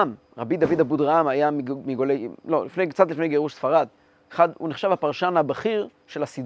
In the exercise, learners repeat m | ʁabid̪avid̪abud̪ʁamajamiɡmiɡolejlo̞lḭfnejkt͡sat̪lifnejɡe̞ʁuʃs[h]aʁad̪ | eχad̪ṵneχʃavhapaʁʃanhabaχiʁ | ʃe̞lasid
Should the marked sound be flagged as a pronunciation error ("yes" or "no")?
yes